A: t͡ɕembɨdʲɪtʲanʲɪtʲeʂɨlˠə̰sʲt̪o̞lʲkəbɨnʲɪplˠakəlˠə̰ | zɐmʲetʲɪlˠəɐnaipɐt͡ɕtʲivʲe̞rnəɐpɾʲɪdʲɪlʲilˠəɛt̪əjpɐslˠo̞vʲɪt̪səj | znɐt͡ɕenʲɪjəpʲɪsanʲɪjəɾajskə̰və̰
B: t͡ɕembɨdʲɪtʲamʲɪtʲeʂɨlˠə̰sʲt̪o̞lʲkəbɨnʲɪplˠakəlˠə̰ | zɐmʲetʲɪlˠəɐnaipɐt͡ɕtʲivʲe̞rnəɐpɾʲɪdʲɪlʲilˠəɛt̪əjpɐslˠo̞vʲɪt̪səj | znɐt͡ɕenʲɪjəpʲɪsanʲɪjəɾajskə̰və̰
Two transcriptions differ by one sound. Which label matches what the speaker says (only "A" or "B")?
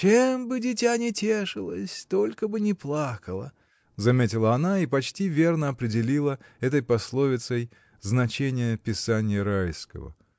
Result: A